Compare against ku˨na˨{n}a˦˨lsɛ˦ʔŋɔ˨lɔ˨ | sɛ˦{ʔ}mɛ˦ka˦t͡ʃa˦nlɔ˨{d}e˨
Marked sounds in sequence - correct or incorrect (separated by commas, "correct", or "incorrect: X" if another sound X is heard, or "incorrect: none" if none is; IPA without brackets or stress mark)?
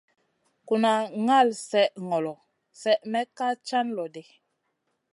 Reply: incorrect: ŋ, correct, correct